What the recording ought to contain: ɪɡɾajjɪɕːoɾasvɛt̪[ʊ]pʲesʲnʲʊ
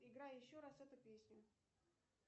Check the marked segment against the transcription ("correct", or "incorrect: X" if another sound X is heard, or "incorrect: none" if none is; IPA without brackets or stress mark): correct